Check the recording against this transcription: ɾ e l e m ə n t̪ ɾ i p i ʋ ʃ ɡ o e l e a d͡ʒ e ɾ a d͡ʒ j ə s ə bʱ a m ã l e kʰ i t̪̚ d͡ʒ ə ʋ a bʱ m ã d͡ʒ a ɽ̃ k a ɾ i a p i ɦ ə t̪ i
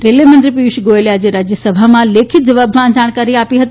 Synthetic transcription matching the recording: ɾ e l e m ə n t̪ ɾ i p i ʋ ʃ ɡ o e l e a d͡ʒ e ɾ a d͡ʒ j ə s ə bʱ a m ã l e kʰ i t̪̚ d͡ʒ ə ʋ a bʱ m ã d͡ʒ a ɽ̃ k a ɾ i a p i ɦ ə t̪ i